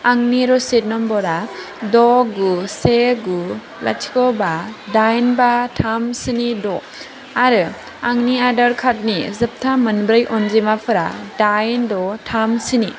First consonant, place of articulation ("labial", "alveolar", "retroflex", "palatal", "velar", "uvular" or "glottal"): velar